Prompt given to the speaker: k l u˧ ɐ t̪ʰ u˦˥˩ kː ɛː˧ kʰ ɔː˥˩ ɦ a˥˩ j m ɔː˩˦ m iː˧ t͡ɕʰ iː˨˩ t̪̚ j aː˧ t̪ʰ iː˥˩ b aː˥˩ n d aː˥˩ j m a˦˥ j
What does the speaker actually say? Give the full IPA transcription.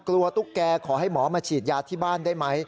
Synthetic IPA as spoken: k l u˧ ɐ t̪ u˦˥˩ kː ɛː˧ kʰ ɔː˩˦ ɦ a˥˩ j m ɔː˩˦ m aː˧ t͡ɕʰ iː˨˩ t̪̚ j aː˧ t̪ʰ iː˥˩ b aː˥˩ n d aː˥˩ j m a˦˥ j

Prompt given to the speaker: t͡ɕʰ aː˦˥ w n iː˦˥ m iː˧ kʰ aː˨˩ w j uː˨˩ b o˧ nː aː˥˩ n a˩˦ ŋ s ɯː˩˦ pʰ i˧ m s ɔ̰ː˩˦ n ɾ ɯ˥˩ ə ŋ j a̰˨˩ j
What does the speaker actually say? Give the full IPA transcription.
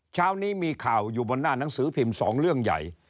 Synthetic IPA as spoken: t͡ɕʰ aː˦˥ w n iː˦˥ m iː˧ kʰ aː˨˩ w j uː˨˩ b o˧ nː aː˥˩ n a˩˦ ŋ s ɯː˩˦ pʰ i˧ m s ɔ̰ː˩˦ ŋ ɾ ɯ˥˩ ə ŋ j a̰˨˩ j

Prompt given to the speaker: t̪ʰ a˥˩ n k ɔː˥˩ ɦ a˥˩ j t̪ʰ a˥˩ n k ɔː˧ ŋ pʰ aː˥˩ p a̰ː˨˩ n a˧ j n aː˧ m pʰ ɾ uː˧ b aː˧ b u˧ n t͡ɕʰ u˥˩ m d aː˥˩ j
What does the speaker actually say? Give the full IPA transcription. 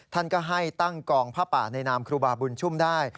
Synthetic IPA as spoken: t̪ʰ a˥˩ n k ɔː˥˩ ɦ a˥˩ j t̪ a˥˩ ŋ k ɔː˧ ŋ pʰ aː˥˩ p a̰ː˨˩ n a˧ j n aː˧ m kʰ ɾ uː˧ b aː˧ b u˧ n t͡ɕʰ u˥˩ m d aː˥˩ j

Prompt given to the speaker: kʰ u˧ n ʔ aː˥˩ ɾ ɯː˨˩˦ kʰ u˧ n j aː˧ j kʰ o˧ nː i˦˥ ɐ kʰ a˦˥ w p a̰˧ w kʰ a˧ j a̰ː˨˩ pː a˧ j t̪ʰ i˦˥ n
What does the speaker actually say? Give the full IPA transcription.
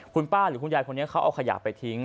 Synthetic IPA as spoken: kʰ u˧ n p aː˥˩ ɾ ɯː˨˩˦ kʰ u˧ n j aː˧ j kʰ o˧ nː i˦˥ ɐ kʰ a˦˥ w ʔ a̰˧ w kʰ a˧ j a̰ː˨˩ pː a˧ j t̪ʰ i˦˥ ŋ

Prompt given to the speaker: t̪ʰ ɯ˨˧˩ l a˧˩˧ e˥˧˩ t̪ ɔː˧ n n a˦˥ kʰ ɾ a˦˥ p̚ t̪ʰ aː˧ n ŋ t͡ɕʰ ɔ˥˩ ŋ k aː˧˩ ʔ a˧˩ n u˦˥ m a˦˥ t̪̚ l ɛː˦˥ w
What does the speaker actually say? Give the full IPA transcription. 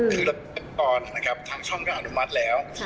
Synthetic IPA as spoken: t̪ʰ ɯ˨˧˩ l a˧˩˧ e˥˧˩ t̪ ɔː˧ n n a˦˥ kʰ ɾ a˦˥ p̚ t̪ʰ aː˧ ŋ t͡ɕʰ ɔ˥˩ ŋ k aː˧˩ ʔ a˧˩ n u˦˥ m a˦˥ t̪̚ l ɛː˦˥ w

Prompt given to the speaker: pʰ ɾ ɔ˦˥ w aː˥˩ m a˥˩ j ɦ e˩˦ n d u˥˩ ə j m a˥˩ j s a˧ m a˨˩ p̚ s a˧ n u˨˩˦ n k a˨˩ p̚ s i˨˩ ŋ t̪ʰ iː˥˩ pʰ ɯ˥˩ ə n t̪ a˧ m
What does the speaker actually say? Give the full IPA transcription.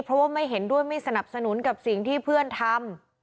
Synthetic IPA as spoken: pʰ ɾ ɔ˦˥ w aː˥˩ m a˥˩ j ɦ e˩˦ n d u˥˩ ə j m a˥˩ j s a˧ n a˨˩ p̚ s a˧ n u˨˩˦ n k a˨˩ p̚ s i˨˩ ŋ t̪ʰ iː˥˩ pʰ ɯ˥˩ ə n t̪ʰ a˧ m

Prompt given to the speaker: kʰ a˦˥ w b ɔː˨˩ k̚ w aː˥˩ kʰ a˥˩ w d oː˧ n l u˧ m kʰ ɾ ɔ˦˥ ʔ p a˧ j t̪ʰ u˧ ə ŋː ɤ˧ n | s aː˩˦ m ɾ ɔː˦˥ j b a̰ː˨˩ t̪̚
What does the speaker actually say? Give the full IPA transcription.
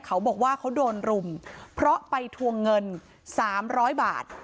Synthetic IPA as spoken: kʰ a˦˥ w b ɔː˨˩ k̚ w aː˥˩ kʰ a˦˥ w d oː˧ n ɾ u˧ m pʰ ɾ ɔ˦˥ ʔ p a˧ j t̪ʰ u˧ ə ŋː ɤ˧ n | s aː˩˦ m ɾ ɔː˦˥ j b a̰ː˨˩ t̪̚

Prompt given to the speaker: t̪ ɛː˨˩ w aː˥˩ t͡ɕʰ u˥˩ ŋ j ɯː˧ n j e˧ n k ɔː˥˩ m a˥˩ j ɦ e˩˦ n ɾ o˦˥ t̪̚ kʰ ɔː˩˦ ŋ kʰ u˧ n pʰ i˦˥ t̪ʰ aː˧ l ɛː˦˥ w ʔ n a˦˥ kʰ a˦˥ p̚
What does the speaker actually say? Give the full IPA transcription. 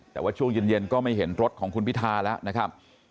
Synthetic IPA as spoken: t̪ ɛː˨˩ w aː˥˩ t͡ɕʰ u˥˩ ŋ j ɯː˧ n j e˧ n k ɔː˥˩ m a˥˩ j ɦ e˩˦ n ɾ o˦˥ t̪̚ kʰ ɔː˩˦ ŋ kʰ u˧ n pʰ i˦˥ t̪ʰ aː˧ l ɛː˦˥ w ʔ n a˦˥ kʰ a˦˥ p̚

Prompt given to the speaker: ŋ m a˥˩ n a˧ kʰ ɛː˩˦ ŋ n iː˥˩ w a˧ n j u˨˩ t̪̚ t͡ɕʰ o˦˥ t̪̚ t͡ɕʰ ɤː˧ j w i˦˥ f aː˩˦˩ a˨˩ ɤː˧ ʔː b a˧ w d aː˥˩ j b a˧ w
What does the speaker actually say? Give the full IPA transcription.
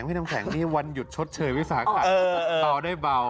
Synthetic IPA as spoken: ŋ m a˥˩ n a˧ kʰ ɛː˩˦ ŋ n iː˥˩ w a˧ n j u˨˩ t̪̚ t͡ɕʰ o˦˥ t̪̚ t͡ɕʰ ɤː˧ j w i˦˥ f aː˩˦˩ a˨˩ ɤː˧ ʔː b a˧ w d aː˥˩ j b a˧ w

